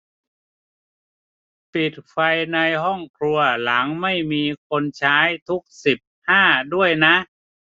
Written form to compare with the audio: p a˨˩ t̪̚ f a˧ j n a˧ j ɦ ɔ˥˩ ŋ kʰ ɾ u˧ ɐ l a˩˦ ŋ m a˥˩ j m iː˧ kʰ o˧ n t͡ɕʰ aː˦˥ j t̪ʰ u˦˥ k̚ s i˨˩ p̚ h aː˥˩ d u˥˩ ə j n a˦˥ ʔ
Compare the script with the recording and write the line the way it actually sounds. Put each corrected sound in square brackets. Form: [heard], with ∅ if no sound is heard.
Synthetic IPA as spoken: p [i˨˩] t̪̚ f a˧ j n a˧ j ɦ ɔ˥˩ ŋ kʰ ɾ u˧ ɐ l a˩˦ ŋ m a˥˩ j m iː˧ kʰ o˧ n t͡ɕʰ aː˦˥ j t̪ʰ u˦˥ k̚ s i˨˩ p̚ h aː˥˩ d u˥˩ ə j n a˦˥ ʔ